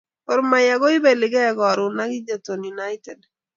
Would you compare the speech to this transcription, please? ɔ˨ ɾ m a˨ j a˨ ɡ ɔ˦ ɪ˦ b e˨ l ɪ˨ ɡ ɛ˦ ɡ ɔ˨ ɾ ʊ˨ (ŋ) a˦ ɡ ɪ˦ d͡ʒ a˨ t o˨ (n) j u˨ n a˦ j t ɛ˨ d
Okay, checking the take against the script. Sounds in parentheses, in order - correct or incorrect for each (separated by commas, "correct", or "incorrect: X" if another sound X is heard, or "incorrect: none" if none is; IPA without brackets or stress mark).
incorrect: n, correct